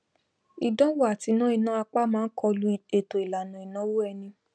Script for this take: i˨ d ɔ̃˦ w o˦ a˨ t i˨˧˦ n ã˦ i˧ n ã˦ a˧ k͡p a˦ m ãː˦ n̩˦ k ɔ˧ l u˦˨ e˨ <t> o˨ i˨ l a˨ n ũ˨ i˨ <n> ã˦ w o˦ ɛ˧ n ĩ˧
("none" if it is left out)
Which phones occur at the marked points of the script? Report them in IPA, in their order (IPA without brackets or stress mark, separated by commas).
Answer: t, n